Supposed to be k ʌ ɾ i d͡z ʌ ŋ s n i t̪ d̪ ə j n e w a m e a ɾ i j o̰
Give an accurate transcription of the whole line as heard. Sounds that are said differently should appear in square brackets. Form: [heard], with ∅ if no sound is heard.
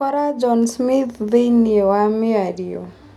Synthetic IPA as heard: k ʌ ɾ [a] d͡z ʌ [n] s [m] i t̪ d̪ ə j n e w a m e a ɾ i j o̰